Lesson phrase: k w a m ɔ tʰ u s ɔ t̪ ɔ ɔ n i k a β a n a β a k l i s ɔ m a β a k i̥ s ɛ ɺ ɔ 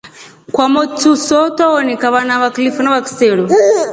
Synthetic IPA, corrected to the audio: k w a m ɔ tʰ u s ɔ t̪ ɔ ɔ n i k a β a n a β a k l i f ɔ n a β a k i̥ s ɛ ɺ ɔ